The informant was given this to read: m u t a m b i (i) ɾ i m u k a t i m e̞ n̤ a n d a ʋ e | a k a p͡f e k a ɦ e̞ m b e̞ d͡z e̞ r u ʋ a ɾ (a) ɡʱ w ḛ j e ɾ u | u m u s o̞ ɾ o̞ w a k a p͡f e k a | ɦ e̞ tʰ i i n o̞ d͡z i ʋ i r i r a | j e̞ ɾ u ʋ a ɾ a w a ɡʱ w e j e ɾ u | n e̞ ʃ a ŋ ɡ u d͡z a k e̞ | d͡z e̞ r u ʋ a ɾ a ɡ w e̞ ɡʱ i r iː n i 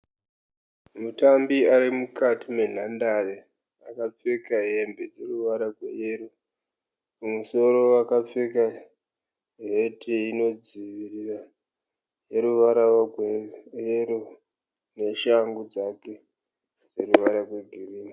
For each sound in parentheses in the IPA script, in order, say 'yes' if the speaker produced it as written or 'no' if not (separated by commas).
no, yes